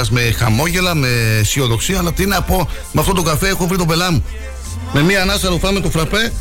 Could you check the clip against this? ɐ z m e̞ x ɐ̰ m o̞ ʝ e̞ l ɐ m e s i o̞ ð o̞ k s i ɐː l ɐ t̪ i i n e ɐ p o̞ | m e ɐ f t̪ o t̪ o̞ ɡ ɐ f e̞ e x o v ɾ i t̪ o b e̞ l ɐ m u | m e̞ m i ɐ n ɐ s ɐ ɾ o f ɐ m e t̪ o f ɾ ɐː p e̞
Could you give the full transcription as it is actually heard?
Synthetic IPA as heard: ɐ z m e̞ x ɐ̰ m o̞ ʝ e̞ l ɐ m e s i o̞ ð o̞ k s i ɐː l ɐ t̪ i i n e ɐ p o̞ | m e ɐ f t̪ o t̪ o̞ ɡ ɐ f e̞ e x o v ɾ i t̪ o b e̞ l ɐ m u | m e̞ m i ɐ n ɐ s ɐ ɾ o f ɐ m e t̪ o f ɾ ɐ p e̞